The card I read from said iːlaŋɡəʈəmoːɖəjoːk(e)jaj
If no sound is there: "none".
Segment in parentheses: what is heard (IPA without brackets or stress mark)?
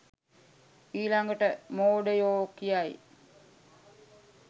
i